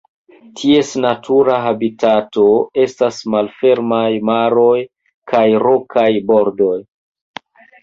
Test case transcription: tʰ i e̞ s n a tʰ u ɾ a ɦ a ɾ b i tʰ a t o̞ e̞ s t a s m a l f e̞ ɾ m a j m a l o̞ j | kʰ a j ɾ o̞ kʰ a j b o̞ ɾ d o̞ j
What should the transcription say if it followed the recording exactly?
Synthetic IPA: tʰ i e̞ s n a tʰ u ɾ a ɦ a b i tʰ a t o̞ e̞ s t a s m a l f e̞ ɾ m a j m a ɾ o̞ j | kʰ a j ɾ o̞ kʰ a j b o̞ ɾ d o̞ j